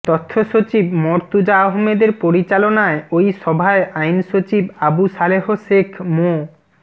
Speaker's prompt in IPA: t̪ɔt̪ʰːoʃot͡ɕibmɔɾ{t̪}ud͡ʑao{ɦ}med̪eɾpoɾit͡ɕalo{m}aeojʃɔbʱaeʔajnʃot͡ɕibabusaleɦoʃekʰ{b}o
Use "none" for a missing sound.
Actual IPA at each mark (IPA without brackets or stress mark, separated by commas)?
t̪, ɦ, n, m